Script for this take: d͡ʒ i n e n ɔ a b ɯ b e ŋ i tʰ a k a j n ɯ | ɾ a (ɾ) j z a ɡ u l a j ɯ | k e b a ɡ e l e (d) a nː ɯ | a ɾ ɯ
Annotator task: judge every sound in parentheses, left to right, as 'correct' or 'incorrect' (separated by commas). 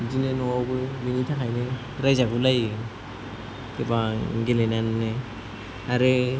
incorrect, incorrect